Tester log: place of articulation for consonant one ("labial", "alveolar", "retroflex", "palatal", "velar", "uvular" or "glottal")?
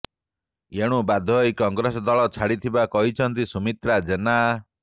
retroflex